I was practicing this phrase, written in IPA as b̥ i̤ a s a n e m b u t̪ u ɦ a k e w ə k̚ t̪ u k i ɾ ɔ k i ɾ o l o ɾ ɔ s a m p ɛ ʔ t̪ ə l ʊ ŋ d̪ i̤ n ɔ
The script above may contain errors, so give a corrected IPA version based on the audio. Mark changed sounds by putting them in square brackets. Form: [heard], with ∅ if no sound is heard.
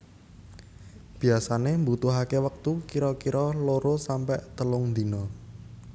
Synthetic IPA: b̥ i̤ a s a n e m b u t̪ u ɦ a k e w ə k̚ t̪ u k i ɾ ɔ k i ɾ [ɔ] l o ɾ [o] s a m p ɛ ʔ t̪ ə l ʊ ŋ d̪ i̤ n ɔ